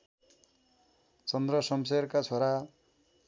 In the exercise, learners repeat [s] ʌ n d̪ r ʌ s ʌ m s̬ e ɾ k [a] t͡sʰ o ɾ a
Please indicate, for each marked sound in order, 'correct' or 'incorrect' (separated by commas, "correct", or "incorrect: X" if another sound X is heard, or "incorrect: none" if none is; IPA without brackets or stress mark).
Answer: incorrect: t͡s, correct